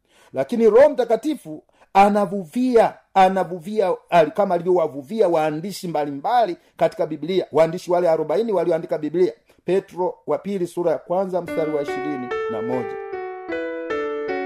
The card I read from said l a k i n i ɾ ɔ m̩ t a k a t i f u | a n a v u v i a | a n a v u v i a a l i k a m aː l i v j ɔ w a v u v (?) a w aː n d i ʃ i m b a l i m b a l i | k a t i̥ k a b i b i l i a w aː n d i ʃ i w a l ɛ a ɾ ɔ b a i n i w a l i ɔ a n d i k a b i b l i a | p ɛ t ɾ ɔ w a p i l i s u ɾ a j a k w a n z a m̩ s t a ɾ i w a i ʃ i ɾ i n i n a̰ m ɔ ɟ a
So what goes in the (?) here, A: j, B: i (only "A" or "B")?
B